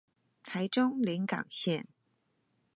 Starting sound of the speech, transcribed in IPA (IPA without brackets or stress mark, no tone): t̪ʰ